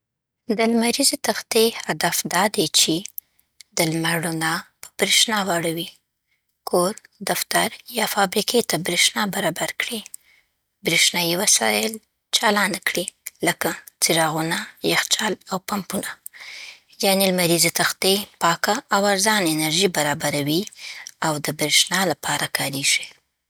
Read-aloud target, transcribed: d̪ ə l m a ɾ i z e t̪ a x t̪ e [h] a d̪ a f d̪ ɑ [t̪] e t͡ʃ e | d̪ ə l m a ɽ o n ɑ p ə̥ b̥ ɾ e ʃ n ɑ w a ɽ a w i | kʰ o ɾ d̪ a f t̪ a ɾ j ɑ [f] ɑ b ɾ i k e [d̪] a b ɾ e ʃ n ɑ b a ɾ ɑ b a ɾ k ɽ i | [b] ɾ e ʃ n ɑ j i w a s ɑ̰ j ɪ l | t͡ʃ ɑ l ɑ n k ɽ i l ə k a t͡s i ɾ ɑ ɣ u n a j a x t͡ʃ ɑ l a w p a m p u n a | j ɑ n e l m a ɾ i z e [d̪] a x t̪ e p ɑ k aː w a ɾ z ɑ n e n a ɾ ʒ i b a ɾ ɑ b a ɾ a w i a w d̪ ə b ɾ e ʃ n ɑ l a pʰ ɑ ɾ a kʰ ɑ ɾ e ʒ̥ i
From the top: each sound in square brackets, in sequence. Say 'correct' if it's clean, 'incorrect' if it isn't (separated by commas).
correct, incorrect, correct, incorrect, correct, incorrect